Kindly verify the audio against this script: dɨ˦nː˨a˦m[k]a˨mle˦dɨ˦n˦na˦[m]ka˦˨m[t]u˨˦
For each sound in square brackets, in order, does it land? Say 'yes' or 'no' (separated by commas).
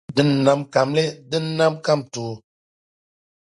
yes, yes, yes